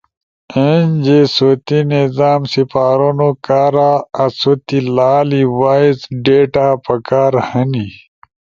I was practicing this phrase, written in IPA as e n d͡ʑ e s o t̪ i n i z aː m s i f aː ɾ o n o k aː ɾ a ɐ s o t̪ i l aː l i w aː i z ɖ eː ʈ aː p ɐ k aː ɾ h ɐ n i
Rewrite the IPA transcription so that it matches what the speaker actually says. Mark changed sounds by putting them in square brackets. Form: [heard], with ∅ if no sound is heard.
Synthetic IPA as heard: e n d͡ʑ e s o t̪ i n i z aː m s i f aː ɾ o n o k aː ɾ a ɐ s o t̪ i l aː l i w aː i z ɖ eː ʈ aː p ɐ k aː ɾ h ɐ n i

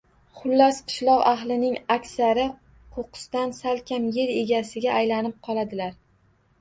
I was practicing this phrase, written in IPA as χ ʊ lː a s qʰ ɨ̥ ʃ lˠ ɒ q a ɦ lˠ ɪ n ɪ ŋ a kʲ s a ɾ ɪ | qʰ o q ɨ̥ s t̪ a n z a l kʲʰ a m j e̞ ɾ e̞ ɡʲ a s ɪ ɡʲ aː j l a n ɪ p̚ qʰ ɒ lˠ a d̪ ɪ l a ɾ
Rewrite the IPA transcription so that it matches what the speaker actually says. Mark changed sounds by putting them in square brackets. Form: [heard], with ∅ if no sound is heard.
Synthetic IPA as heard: χ ʊ lː a s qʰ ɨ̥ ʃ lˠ ɒ q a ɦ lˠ ɪ n ɪ ŋ a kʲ s a ɾ ɪ | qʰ o q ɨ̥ s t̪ a n [s] a l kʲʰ a m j e̞ ɾ e̞ ɡʲ a s ɪ ɡʲ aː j l a n ɪ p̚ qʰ ɒ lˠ a d̪ ɪ l a ɾ

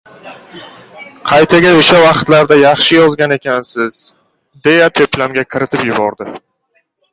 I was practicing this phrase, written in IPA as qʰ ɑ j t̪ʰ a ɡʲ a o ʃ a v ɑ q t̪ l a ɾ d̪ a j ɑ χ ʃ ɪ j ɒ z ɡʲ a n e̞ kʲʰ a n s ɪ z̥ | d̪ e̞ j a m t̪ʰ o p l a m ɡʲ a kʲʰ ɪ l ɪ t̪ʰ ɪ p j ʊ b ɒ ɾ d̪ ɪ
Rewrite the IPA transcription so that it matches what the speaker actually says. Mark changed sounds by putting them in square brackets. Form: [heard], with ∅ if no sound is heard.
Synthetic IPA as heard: qʰ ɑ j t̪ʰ a ɡʲ a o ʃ a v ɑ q t̪ l a ɾ d̪ a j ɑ χ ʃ ɪ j ɒ z ɡʲ a n e̞ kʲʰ a n s ɪ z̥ | d̪ e̞ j a [∅] t̪ʰ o p l a m ɡʲ a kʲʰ ɪ [ɾ] ɪ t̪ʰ ɪ p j ʊ b ɒ ɾ d̪ ɪ

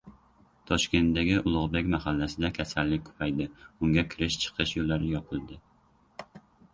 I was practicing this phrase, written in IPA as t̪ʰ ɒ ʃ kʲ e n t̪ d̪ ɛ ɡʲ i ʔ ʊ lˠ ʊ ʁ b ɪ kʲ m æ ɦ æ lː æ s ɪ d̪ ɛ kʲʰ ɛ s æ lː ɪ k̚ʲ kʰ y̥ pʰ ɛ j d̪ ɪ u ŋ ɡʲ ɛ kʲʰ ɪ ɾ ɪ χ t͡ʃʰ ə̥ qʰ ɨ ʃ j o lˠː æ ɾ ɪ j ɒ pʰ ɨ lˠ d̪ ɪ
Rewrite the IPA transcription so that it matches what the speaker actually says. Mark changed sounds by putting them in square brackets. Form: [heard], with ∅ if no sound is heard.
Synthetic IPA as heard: t̪ʰ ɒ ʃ kʲ e n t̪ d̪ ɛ ɡʲ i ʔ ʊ lˠ ʊ ʁ b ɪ kʲ m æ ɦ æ lː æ s ɪ d̪ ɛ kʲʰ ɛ s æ lː ɪ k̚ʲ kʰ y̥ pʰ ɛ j d̪ ɪ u ŋ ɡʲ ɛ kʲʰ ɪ ɾ ɪ [ʃ] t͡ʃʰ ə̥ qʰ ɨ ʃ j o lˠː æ ɾ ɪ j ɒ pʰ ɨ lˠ d̪ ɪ

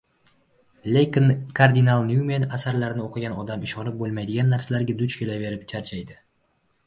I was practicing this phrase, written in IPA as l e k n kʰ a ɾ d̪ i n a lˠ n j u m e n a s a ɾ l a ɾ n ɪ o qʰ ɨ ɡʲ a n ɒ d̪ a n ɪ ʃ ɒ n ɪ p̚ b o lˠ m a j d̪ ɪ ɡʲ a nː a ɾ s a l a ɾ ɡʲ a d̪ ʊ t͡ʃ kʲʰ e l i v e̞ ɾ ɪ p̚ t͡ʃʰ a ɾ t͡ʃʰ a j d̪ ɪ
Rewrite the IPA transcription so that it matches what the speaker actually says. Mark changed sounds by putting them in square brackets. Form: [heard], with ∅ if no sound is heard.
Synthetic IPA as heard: l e k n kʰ a ɾ d̪ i n a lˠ n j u m e n a s a ɾ l a ɾ n ɪ o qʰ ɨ ɡʲ a n ɒ d̪ a [m] ɪ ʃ ɒ n ɪ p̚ b o lˠ m a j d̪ ɪ ɡʲ a nː a ɾ s a l a ɾ ɡʲ a d̪ ʊ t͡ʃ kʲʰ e l [a] v e̞ ɾ ɪ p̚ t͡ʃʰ a ɾ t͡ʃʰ a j d̪ ɪ

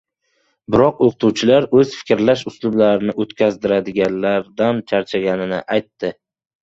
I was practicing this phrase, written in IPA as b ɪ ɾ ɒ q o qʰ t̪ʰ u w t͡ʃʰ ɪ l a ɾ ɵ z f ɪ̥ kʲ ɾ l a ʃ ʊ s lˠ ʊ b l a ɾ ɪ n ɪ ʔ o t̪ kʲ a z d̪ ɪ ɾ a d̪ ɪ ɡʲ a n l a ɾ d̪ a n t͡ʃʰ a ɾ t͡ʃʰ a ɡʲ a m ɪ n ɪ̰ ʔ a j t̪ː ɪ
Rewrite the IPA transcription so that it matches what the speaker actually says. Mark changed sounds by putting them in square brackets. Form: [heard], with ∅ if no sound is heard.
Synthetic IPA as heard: b ɪ ɾ ɒ q o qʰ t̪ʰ u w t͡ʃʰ ɪ l a ɾ ɵ z f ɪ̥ kʲ ɾ l a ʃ ʊ s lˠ ʊ b l a ɾ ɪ n ɪ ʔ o t̪ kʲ a z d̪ ɪ ɾ a d̪ ɪ ɡʲ a n l a ɾ d̪ a n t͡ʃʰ a ɾ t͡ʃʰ a ɡʲ a [n] ɪ n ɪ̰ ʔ a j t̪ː ɪ

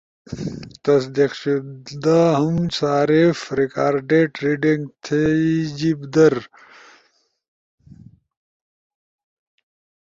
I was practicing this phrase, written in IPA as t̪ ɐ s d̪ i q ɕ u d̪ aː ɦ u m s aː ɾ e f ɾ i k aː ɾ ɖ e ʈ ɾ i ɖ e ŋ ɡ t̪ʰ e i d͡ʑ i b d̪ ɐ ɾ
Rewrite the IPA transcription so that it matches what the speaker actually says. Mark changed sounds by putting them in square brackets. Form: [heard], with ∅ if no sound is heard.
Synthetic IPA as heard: t̪ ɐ s d̪ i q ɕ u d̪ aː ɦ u m s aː ɾ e f ɾ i k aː ɾ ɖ e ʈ ɾ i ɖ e ŋ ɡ t̪ʰ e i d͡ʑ i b d̪ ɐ ɾ

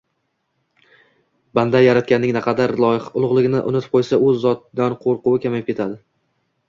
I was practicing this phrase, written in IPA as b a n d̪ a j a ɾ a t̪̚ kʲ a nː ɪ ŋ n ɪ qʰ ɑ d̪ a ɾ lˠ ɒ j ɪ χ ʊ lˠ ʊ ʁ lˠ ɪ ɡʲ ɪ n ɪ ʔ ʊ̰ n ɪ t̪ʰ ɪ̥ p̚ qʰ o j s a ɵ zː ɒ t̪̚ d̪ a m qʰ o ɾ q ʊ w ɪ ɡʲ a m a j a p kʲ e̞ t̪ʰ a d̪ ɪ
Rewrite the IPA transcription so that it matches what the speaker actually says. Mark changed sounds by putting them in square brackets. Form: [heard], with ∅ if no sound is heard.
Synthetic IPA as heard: b a n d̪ a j a ɾ a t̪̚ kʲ a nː ɪ ŋ n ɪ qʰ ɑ d̪ a ɾ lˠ ɒ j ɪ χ ʊ lˠ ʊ ʁ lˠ ɪ ɡʲ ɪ n ɪ ʔ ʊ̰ n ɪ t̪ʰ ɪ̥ p̚ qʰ o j s a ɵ zː ɒ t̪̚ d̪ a [n] qʰ o ɾ q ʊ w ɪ [kʲ] a m a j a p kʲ e̞ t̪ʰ a d̪ ɪ

